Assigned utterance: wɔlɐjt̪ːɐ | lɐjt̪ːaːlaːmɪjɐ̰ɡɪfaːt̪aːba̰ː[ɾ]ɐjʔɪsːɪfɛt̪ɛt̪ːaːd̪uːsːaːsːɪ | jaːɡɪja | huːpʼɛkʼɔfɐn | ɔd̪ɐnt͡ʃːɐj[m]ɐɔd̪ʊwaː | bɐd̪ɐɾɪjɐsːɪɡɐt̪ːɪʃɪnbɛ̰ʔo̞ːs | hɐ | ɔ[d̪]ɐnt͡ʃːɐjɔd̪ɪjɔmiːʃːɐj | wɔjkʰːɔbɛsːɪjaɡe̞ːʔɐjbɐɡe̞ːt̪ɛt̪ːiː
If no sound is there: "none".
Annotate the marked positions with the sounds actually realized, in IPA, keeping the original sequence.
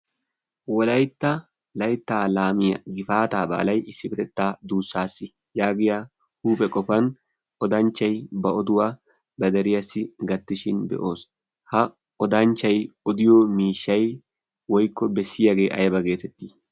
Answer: l, b, d̪

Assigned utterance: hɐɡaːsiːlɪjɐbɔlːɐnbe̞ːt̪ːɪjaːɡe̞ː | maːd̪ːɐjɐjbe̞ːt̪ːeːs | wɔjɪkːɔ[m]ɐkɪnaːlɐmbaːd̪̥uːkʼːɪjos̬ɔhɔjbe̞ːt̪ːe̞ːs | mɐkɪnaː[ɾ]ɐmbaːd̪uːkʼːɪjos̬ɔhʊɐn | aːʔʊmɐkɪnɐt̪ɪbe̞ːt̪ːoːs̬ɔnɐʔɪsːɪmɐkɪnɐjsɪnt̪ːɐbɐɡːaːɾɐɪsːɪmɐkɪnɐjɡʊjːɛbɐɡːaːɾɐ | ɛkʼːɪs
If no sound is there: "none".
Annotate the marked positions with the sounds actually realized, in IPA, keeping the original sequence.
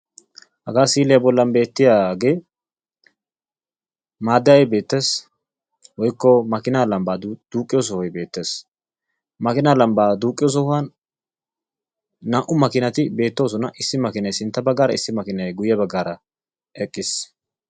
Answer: m, l

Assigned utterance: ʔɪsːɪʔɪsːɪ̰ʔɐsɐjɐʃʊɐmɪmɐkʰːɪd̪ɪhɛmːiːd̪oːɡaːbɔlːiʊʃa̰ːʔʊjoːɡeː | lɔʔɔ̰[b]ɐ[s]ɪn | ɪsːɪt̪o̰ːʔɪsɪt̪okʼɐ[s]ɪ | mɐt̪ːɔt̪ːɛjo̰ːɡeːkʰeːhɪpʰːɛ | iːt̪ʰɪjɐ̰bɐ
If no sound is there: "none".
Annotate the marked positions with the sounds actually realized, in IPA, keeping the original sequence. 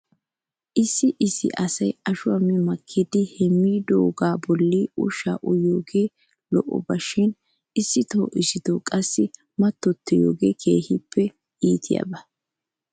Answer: b, ʃ, sː

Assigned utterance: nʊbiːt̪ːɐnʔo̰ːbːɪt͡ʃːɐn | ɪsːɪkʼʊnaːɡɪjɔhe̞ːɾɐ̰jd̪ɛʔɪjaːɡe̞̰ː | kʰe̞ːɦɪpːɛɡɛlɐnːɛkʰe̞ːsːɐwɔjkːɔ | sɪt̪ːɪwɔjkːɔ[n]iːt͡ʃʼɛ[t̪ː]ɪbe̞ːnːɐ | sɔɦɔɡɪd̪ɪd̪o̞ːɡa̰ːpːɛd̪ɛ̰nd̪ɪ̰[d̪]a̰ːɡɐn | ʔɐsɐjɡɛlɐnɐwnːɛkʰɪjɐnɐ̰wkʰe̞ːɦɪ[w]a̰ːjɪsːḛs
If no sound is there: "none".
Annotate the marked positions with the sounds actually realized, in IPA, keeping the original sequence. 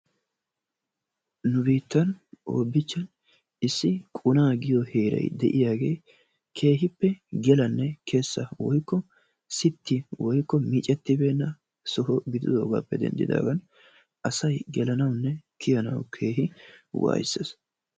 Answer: m, t̪ː, d̪, w

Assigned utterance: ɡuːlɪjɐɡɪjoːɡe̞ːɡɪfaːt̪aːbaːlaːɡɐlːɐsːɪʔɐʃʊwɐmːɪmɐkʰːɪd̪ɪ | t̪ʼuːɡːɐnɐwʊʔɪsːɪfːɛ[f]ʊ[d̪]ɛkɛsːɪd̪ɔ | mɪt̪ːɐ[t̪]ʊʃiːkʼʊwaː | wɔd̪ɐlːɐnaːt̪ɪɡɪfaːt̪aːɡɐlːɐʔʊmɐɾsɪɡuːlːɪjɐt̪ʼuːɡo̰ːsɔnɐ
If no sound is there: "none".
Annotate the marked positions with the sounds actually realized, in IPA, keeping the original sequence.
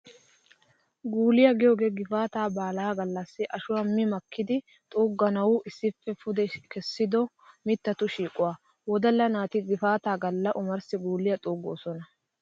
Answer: f, d̪, t̪

